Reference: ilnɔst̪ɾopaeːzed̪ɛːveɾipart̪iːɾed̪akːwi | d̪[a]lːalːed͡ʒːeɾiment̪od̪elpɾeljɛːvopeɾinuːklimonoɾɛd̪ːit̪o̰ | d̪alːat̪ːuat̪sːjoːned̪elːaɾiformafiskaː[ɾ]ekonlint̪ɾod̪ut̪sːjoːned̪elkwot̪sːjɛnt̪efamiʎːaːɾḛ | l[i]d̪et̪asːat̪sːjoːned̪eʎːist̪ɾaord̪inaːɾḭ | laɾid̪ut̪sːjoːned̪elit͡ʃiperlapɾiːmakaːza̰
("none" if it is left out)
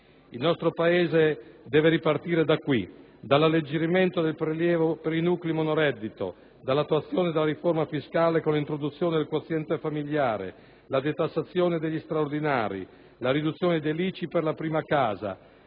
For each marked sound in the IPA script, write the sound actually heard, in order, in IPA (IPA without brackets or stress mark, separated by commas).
a, l, a